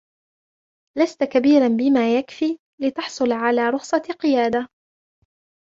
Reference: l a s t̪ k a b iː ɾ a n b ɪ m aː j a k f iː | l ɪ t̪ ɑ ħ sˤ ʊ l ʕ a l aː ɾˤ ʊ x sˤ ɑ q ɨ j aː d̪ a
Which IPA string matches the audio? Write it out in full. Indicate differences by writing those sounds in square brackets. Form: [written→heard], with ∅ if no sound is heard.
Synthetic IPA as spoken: l a s t̪ k a b iː ɾ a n b ɪ m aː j a k f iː | l ɪ t̪ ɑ ħ sˤ ʊ l ʕ a l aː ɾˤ ʊ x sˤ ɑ q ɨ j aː d̪ a